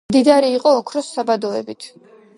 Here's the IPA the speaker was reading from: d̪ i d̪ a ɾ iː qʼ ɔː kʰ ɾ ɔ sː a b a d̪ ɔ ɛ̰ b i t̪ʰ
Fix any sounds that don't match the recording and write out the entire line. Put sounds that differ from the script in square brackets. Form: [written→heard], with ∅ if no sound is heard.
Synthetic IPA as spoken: d̪ i d̪ a ɾ iː qʼ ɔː kʰ ɾ ɔ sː a b a d̪ ɔ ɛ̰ b i t̪ʰ